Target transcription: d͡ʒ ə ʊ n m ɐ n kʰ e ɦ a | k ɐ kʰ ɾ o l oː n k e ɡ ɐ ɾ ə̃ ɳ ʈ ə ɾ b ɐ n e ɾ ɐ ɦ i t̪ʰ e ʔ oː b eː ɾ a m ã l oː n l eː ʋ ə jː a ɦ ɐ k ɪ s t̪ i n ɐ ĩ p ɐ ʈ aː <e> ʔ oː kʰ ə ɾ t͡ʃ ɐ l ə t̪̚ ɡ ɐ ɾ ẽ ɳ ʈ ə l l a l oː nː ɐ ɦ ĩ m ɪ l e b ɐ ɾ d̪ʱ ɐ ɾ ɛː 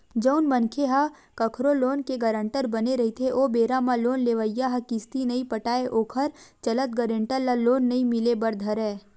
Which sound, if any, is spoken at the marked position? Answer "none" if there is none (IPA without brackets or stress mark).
e